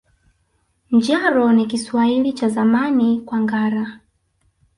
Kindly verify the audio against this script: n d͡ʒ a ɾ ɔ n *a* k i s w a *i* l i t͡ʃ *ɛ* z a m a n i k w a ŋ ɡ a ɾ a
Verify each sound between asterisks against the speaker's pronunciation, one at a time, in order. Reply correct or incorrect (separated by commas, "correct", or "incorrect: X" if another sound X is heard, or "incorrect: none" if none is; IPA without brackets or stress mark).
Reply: incorrect: i, correct, incorrect: a